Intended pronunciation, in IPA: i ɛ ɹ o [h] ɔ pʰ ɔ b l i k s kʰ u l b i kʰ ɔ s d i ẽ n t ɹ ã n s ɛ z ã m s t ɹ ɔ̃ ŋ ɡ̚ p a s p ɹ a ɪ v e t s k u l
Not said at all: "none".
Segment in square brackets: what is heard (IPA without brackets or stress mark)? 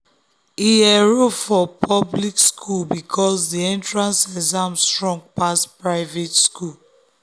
f